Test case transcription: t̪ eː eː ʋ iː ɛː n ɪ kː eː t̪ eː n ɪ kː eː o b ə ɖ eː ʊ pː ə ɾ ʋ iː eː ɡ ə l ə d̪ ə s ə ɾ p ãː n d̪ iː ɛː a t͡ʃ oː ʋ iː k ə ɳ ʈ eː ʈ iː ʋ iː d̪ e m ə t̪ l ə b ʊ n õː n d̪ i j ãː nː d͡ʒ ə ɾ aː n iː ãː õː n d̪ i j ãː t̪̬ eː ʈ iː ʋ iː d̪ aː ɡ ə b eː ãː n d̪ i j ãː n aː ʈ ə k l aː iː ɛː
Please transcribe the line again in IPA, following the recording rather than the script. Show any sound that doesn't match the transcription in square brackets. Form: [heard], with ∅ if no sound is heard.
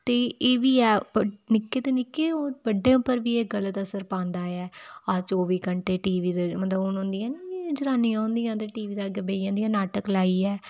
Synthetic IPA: t̪ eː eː ʋ iː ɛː n ɪ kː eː t̪ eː n ɪ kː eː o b ə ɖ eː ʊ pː ə ɾ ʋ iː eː ɡ ə l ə [t̪] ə s ə ɾ p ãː n d̪ [aː] ɛː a t͡ʃ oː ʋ iː k ə ɳ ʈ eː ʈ iː ʋ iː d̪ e m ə t̪ l ə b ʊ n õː n d̪ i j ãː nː d͡ʒ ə ɾ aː n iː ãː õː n d̪ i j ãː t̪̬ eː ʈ iː ʋ iː d̪ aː ɡ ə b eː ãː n d̪ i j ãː n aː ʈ ə k l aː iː ɛː